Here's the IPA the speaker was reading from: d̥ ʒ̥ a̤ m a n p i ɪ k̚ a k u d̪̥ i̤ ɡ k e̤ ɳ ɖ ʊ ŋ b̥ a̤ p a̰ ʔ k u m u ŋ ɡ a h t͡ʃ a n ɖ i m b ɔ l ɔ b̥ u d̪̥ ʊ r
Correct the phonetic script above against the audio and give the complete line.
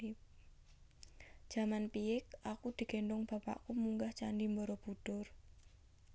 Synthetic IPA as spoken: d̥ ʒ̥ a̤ m a n p i ɪ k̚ a k u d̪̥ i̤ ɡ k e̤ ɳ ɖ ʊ ŋ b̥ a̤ p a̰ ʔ k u m u ŋ ɡ a h t͡ʃ a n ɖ i m b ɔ ɾ ɔ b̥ u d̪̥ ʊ r